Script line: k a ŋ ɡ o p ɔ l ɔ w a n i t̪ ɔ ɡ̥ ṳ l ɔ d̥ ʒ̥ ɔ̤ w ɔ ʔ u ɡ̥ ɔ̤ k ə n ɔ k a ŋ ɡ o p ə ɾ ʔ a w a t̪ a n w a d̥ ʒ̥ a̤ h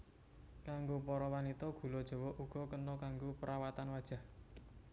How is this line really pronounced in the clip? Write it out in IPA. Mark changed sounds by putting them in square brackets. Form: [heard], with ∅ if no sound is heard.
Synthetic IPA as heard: k a ŋ ɡ o p ɔ [ɾ] ɔ w a n i t̪ ɔ ɡ̥ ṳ l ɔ d̥ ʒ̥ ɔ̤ w ɔ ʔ u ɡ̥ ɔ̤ k ə n ɔ k a ŋ ɡ o p ə ɾ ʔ a w a t̪ a n w a d̥ ʒ̥ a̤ h